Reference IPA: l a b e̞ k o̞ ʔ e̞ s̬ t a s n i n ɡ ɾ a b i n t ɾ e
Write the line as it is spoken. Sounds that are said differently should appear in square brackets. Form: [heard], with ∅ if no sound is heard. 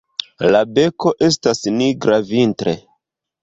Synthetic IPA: l a b e̞ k o̞ ʔ e̞ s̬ t a s n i [∅] ɡ ɾ a [v] i n t ɾ e